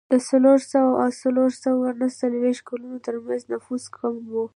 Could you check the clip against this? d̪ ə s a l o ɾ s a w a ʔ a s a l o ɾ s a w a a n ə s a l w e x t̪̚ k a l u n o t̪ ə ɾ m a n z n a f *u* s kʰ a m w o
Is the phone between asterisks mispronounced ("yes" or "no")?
no